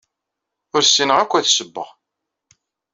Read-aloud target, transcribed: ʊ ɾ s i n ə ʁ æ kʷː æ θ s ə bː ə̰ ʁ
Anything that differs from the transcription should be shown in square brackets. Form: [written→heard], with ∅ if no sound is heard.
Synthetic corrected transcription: ʊ ɾ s i n ə ʁ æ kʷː æ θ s ə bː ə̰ ʁ